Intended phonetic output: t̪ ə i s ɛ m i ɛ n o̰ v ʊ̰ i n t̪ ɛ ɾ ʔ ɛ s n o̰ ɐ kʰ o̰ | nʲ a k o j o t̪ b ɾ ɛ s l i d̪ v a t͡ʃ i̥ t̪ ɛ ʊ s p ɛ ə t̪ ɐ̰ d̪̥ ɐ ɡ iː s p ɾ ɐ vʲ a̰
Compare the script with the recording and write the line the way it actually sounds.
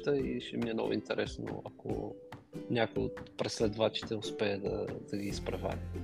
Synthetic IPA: t̪ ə i ʃ ɛ m i ɛ n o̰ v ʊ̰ i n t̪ ɛ ɾ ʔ ɛ s n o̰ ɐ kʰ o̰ | nʲ a k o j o t̪ p ɾ ɛ s l ɛ d̪ v a t͡ʃ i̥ t̪ ɛ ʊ s p ɛ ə d̪ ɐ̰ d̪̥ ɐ ɡ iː s p ɾ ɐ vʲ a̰